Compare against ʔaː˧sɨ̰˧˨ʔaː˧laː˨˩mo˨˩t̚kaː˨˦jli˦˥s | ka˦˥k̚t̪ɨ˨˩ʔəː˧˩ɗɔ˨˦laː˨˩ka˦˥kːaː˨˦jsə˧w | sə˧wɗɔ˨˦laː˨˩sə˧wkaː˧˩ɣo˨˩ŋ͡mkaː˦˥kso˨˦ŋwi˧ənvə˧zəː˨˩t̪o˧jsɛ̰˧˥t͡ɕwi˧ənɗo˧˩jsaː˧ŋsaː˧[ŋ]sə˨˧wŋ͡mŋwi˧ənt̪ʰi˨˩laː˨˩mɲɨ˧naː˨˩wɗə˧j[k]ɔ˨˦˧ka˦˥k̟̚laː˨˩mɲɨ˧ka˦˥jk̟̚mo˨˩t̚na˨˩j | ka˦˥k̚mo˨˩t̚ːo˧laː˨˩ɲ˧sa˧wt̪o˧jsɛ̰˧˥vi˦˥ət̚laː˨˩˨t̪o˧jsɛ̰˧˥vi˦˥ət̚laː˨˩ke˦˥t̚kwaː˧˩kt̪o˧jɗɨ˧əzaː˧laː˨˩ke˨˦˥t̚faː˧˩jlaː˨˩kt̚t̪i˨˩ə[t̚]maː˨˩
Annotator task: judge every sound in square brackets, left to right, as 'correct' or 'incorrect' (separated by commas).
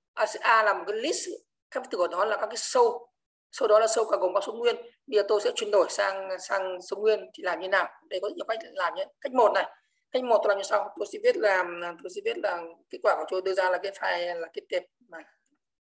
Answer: correct, correct, incorrect